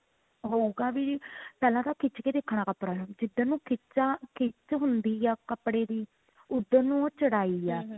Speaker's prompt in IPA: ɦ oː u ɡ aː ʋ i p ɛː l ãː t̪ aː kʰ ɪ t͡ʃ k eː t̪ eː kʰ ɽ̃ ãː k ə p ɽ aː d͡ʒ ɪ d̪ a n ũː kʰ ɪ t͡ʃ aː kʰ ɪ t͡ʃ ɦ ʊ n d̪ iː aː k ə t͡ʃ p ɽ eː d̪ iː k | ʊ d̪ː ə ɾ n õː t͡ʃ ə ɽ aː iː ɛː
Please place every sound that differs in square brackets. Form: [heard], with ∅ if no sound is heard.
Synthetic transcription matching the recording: ɦ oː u ɡ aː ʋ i p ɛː l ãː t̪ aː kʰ ɪ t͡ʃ k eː [d̪] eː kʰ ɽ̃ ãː k ə p ɽ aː d͡ʒ ɪ d̪ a n ũː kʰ ɪ t͡ʃ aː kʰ ɪ t͡ʃ ɦ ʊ n d̪ iː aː k ə [∅] p ɽ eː d̪ iː [∅] | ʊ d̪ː ə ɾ n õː t͡ʃ ə ɽ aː iː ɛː